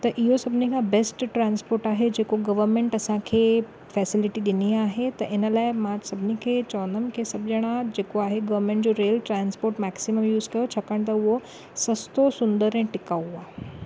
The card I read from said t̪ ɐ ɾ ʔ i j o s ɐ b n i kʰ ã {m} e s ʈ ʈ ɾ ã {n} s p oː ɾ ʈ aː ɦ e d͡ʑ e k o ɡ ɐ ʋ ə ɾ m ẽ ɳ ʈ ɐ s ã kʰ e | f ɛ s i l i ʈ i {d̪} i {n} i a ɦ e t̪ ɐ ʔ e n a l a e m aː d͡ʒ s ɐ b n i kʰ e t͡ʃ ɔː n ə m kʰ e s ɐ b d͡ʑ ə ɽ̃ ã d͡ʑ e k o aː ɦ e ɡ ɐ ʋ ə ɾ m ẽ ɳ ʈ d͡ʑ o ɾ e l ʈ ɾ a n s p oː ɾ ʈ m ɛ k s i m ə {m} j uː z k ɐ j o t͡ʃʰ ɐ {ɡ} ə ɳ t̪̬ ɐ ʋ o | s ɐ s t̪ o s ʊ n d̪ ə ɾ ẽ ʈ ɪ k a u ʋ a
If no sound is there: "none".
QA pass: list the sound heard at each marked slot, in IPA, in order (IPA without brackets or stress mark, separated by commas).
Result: b, n, d̪, n, m, k